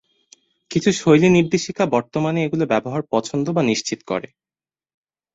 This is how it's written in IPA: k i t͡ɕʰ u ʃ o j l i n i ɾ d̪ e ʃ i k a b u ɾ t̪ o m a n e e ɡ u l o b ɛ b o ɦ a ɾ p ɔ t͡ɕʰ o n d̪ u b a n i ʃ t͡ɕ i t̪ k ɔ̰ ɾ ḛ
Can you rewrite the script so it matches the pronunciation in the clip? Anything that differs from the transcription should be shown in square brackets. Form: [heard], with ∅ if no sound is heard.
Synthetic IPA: k i t͡ɕʰ u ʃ o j l i n i ɾ d̪ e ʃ i k a b [ɔ] ɾ t̪ o m a n e e ɡ u l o b ɛ b o ɦ a ɾ p ɔ t͡ɕʰ o n d̪ [o] b a n i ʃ t͡ɕ i t̪ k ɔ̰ ɾ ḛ